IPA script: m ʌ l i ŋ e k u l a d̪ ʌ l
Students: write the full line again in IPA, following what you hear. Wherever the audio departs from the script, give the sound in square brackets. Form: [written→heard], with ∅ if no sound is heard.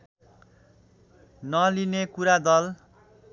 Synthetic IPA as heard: [m→n] ʌ l i [ŋ→n] e k u [l→ɾ] a d̪ ʌ l